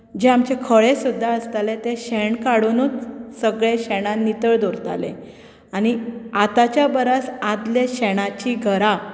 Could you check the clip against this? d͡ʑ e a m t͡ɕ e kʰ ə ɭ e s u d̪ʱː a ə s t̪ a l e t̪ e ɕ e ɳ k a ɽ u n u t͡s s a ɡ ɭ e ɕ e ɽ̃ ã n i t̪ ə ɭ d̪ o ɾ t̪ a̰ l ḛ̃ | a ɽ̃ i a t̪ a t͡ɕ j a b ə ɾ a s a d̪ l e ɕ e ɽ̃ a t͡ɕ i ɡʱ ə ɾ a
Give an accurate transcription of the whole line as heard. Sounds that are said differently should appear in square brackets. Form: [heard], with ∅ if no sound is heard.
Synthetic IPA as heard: d͡ʑ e a m t͡ɕ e kʰ ə ɭ e s u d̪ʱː a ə s t̪ a l e t̪ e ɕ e ɳ k a ɽ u n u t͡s s [ə] ɡ ɭ e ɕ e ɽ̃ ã n i t̪ ə ɭ d̪ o ɾ t̪ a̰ l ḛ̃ | a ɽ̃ i a t̪ a t͡ɕ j a b ə ɾ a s a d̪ l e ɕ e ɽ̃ a t͡ɕ i ɡʱ ə ɾ a